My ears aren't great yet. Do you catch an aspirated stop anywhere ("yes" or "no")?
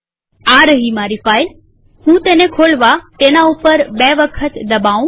yes